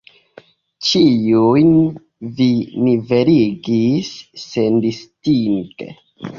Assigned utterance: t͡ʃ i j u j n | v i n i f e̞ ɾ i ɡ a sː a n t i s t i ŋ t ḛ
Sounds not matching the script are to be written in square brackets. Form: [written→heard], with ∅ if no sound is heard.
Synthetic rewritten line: t͡ʃ i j u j n | v i n i [f→v] e̞ ɾ i ɡ [a→i] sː [a→e] n [t→d] i s t i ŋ t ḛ

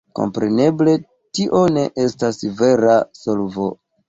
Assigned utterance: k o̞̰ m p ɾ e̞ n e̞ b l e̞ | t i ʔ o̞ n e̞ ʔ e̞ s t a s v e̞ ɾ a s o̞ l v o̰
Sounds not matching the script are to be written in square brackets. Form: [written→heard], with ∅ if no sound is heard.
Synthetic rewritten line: k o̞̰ m p ɾ e̞ n e̞ b l e̞ | t i ʔ o̞ n e̞ ʔ e̞ s t a s v e̞ ɾ a s o̞ l v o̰

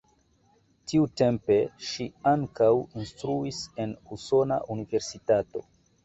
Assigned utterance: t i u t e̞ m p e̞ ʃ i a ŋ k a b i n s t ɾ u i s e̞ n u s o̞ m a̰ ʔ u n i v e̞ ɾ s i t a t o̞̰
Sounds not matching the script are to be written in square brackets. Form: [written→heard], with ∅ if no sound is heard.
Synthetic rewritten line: t i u t e̞ m p e̞ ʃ i a ŋ k a [b→w] i n s t ɾ u i s e̞ n u s o̞ [m→n] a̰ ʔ u n i v e̞ ɾ s i t a t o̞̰

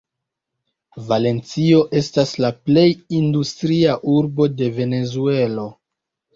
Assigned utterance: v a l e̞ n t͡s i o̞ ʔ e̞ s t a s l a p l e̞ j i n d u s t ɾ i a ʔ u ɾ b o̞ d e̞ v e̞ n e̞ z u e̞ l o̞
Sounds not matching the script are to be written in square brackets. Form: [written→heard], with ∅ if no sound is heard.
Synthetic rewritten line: v a l e̞ n t͡s i o̞ ʔ e̞ s t a s l a p l e̞ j i n d u s t ɾ i a ʔ u ɾ b o̞ d e̞ v e̞ n e̞ z u e̞ l o̞

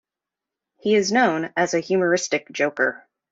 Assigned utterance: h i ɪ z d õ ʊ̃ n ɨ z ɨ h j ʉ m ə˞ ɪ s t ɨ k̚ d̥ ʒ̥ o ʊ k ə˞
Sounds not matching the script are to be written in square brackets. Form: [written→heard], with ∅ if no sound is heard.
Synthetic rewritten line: h i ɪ z [d→n] õ ʊ̃ n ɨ z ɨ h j ʉ m ə˞ ɪ s t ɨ k̚ d̥ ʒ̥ o ʊ k ə˞

